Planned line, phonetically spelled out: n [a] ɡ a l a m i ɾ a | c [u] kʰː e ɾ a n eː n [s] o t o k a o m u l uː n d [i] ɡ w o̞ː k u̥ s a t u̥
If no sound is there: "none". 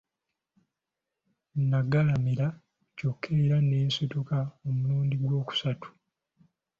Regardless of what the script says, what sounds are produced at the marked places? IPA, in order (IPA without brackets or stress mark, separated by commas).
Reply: a, o, s, i